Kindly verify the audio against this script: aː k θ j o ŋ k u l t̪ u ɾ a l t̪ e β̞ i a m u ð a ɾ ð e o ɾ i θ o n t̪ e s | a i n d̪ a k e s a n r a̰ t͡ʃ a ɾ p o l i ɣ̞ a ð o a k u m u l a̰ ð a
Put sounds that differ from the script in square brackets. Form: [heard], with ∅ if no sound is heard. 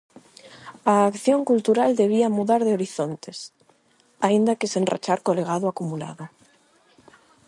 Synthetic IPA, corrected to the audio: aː k θ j o ŋ k u l t̪ u ɾ a l [d̪] e β̞ i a m u ð a ɾ ð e o ɾ i θ o n t̪ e s | a i n d̪ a k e s [e] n r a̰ t͡ʃ a ɾ [k] o l [e] ɣ̞ a ð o a k u m u l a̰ ð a